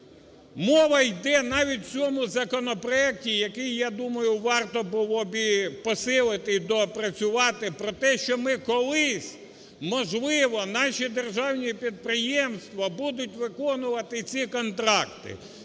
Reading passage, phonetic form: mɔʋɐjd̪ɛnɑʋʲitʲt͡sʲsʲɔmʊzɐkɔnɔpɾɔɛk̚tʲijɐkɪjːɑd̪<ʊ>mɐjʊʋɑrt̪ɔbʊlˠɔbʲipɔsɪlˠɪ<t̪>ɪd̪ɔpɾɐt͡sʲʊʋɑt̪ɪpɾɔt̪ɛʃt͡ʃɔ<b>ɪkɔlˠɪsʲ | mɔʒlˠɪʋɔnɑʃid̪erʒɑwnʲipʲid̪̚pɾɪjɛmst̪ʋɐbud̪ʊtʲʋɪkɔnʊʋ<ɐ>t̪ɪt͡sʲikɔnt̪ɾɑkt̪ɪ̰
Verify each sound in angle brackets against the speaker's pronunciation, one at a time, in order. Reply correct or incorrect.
incorrect, correct, incorrect, correct

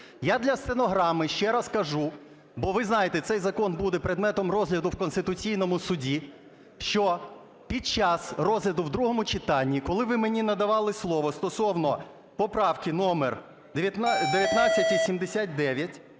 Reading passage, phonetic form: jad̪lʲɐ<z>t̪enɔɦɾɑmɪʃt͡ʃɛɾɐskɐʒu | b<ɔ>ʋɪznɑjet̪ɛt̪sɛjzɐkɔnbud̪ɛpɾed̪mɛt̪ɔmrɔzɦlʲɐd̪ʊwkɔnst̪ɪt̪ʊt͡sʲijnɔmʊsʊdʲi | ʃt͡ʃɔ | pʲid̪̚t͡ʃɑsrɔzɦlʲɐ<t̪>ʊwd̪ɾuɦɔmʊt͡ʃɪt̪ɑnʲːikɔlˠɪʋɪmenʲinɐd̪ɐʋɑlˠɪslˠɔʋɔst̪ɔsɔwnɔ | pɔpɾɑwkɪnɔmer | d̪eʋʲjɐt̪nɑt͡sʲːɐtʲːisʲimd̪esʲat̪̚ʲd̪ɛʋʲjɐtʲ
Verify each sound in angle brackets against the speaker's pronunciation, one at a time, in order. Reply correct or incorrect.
incorrect, correct, incorrect

